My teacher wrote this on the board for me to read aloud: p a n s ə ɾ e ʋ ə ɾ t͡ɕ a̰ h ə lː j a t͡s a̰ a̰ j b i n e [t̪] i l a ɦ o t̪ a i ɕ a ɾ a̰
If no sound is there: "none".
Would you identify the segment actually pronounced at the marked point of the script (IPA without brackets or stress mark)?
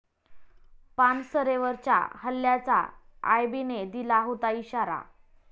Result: d̪